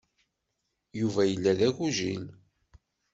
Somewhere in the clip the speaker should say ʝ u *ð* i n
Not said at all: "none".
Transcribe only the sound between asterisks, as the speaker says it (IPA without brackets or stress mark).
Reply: ʒ